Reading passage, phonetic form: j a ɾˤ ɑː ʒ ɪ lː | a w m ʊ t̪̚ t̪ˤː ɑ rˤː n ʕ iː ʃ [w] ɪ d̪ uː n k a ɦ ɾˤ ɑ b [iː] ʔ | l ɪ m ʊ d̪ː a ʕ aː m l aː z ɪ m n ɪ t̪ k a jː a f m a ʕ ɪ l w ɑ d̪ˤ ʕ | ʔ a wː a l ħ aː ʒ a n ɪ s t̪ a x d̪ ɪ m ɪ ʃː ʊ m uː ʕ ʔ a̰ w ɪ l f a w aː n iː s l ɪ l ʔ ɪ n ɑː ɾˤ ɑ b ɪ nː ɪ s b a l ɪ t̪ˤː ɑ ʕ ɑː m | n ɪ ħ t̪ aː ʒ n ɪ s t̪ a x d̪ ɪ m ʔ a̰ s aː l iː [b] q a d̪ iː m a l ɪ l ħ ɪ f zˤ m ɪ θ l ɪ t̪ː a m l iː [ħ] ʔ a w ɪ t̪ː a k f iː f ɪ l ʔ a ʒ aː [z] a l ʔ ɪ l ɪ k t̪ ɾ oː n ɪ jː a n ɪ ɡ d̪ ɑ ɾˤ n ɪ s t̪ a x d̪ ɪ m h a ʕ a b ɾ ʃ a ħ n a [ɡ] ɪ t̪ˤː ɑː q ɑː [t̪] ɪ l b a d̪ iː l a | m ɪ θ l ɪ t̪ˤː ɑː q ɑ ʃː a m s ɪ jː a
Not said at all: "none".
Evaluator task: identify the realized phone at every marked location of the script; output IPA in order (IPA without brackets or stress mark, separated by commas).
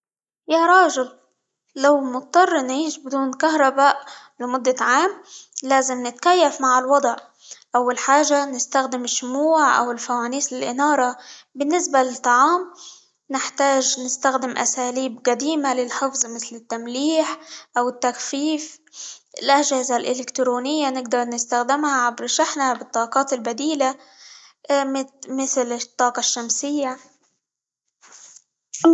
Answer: b, aː, b, ħ, z, b, t̪